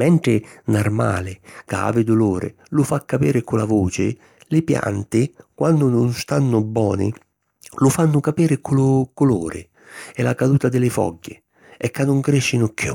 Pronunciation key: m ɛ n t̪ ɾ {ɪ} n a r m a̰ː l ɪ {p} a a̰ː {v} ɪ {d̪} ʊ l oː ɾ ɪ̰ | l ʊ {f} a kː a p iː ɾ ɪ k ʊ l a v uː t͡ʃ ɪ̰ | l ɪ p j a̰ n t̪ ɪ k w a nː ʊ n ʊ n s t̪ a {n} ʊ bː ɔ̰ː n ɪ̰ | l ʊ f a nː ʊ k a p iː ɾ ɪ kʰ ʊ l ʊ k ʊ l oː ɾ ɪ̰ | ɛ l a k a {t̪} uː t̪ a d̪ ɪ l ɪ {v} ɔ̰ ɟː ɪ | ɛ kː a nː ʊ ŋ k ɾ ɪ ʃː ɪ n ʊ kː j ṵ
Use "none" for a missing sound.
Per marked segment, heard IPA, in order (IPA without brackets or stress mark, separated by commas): ɪ, k, v, d̪, f, nː, d̪, f